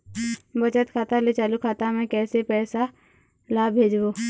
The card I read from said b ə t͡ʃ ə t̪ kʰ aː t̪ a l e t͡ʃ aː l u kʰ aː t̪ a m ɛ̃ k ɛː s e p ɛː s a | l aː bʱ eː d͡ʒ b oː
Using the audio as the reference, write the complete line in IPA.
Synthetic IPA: b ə t͡ʃ ə t̪ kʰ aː t̪ a l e t͡ʃ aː l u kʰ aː t̪ a m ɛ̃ k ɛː s e p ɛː s a | l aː bʱ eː d͡ʒ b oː